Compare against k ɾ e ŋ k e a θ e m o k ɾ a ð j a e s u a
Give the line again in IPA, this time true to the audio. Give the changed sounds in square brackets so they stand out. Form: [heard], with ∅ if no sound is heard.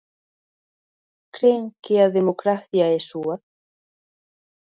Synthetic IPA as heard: k ɾ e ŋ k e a [ð] e m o k ɾ a [θ] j a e s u a